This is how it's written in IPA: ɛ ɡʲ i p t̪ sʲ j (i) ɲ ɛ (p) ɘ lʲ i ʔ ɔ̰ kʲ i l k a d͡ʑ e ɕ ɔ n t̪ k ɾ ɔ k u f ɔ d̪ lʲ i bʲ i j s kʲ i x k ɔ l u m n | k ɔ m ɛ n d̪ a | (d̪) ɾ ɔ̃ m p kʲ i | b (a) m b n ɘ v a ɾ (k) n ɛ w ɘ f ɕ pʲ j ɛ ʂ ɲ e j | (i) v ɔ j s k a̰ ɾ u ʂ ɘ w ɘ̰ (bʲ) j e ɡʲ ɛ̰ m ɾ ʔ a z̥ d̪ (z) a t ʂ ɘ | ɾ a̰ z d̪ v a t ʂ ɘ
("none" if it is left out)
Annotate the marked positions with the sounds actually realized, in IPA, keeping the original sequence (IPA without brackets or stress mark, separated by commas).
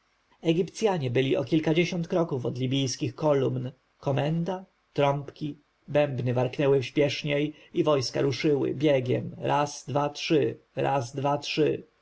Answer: a, b, t̪, ɛ, k, i, bʲ, v